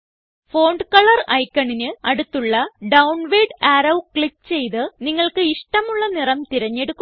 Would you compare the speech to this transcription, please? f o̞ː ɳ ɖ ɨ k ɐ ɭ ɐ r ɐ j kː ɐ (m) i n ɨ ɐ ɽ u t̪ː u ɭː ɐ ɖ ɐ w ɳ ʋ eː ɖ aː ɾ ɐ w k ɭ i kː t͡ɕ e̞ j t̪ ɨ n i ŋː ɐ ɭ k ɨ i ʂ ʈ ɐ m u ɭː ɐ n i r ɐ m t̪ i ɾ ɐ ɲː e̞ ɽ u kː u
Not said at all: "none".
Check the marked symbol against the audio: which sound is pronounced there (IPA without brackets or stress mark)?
ɳ